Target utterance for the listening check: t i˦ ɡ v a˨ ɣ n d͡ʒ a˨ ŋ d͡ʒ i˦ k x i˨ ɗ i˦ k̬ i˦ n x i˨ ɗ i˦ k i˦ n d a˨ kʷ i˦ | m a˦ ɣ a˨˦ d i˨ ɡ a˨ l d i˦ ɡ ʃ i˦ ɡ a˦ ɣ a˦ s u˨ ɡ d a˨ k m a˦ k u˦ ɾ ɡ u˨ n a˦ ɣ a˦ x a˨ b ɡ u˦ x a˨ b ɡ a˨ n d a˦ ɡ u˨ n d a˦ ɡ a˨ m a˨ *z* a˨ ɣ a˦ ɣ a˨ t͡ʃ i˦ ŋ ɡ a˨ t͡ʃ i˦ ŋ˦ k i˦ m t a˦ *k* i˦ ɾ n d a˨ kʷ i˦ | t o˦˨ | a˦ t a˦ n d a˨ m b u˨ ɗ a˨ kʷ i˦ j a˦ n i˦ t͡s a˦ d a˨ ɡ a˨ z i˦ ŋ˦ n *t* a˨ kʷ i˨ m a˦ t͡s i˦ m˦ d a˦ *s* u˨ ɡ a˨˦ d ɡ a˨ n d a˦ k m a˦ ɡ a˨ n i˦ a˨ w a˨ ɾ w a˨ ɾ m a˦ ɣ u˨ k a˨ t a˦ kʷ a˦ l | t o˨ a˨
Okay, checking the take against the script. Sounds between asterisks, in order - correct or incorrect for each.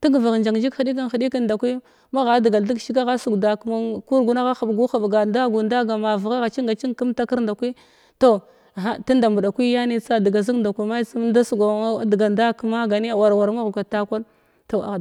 incorrect, correct, incorrect, correct

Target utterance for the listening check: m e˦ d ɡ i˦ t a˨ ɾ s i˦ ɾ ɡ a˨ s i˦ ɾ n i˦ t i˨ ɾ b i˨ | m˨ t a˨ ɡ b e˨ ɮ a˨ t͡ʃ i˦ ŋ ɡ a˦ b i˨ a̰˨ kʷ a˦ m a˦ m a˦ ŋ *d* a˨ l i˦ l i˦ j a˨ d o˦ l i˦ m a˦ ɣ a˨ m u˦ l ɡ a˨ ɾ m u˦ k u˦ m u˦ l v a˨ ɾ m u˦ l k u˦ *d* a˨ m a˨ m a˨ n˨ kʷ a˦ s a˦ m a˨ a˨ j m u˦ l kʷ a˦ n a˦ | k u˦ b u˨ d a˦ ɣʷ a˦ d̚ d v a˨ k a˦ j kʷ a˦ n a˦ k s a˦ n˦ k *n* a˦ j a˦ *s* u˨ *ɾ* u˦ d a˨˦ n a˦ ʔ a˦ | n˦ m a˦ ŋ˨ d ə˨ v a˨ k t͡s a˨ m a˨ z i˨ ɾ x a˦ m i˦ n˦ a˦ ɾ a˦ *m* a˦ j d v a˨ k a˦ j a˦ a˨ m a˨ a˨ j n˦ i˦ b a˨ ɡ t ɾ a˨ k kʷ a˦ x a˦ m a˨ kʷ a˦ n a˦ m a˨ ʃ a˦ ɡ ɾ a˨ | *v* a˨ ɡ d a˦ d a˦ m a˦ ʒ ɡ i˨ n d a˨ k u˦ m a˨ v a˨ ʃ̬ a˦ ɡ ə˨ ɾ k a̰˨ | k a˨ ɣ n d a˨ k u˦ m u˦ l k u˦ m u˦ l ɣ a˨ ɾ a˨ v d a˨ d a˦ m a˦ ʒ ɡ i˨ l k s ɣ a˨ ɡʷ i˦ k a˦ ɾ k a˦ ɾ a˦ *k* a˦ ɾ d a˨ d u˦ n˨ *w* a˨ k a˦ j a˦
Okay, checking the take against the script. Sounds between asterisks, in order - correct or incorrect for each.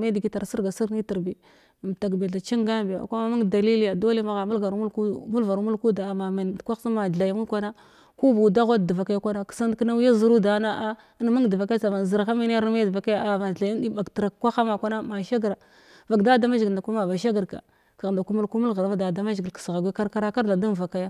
correct, correct, correct, incorrect, correct, correct, correct, correct, incorrect

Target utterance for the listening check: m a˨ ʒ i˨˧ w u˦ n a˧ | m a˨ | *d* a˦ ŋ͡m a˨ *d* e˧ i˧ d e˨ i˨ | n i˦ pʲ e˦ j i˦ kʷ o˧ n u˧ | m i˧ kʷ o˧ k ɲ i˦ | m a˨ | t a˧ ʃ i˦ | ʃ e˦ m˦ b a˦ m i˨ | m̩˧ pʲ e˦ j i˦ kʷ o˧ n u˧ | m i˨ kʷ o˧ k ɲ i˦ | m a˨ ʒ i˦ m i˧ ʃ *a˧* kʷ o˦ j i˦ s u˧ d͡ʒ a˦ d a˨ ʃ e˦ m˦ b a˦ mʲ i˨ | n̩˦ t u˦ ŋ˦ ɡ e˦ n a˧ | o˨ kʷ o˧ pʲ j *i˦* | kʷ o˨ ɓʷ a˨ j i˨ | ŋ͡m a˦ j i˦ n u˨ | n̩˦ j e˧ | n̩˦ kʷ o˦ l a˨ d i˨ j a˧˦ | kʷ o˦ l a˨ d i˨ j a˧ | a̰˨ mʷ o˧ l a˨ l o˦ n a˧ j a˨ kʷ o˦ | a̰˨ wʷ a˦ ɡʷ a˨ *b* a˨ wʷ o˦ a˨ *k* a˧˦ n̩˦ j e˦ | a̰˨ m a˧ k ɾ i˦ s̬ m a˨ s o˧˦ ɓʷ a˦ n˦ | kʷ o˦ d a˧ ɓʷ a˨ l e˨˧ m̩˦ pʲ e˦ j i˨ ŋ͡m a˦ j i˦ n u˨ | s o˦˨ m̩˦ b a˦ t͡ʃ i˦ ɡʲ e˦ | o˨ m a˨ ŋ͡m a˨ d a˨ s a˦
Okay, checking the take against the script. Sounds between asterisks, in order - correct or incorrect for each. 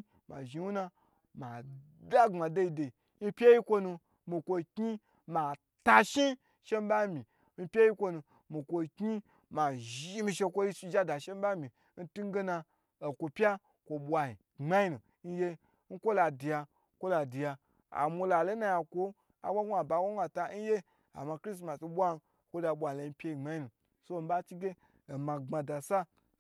correct, correct, incorrect, incorrect, correct, incorrect

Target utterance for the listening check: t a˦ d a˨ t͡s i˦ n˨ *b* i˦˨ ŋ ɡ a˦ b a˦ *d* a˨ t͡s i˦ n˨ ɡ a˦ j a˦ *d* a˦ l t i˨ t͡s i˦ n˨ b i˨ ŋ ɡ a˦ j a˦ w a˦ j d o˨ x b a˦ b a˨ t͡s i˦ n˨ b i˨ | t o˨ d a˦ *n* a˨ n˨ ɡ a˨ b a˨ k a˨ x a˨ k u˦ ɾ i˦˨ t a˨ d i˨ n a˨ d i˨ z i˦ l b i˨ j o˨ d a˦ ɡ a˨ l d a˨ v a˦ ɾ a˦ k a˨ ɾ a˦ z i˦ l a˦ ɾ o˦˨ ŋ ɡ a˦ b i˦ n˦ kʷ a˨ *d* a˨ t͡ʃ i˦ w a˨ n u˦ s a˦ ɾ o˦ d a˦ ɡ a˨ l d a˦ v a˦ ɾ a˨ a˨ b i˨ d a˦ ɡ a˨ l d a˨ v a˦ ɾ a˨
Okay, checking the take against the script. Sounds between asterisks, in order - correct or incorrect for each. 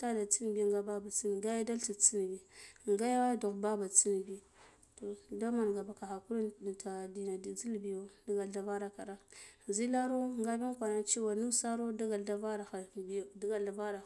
correct, incorrect, correct, incorrect, incorrect

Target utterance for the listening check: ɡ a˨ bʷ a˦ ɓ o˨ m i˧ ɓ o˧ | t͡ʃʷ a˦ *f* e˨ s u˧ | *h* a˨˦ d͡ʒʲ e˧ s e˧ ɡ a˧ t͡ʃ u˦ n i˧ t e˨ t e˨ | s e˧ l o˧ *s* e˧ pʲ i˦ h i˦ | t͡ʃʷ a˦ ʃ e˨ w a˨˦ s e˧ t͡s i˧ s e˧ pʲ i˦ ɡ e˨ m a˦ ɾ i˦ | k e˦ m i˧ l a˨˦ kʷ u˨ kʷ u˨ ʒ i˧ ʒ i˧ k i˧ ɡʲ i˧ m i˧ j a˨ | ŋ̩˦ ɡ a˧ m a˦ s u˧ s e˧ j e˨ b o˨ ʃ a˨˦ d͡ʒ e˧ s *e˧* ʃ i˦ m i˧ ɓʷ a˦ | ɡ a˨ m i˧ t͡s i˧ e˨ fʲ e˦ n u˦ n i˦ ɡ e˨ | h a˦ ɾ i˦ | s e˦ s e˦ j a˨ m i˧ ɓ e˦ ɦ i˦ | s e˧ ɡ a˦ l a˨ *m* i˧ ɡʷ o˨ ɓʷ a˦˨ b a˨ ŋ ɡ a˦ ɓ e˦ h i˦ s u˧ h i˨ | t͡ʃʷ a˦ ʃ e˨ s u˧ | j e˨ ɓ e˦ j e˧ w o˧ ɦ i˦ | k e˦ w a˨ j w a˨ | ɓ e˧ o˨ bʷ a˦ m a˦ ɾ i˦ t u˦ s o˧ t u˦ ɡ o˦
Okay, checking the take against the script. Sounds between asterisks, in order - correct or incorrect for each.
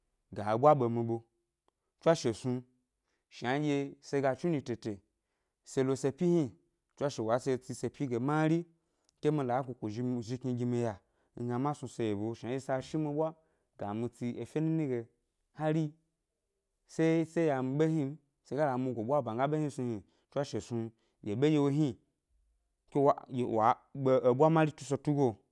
incorrect, incorrect, correct, incorrect, correct

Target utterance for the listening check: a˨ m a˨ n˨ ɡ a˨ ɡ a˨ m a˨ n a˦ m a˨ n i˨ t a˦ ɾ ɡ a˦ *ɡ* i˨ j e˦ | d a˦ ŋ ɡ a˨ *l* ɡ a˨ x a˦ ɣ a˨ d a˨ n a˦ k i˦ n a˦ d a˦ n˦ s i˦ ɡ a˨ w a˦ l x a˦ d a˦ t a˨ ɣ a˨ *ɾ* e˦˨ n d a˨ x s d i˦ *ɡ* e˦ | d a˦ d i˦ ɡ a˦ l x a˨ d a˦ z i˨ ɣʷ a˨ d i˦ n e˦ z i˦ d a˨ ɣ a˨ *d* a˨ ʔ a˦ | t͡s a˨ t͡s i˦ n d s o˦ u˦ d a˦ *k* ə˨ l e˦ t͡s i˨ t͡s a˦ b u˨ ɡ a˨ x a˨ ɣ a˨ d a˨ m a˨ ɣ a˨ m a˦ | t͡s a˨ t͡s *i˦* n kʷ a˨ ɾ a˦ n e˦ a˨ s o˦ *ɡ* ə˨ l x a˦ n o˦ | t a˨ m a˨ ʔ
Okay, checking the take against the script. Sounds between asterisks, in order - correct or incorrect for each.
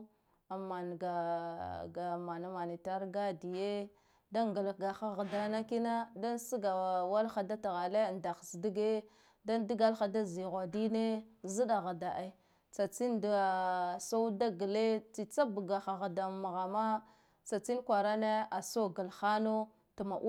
incorrect, correct, incorrect, correct, correct, incorrect, correct, correct

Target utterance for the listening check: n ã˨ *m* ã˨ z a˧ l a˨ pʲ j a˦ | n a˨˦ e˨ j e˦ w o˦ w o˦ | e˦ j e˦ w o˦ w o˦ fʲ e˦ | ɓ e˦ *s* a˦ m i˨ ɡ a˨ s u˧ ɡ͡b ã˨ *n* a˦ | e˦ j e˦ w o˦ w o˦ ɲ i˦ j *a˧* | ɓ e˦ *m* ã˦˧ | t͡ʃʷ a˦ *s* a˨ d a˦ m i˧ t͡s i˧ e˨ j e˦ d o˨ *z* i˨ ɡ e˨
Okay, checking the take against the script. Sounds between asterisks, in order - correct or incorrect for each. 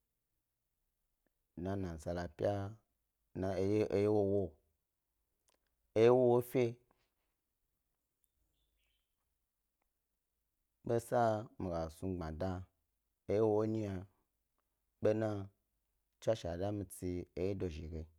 incorrect, correct, incorrect, correct, incorrect, incorrect, incorrect

